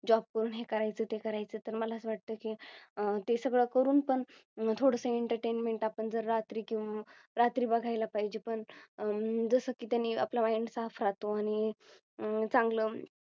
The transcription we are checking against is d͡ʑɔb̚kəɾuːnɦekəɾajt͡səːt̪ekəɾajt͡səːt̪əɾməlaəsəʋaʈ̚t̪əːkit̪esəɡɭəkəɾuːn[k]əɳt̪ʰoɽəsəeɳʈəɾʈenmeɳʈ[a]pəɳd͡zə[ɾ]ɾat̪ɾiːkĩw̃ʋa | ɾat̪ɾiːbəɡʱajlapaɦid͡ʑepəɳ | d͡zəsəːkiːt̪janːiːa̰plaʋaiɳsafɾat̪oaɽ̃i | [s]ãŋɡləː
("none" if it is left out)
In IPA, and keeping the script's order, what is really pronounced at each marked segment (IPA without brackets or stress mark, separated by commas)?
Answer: p, a, ɾ, t͡s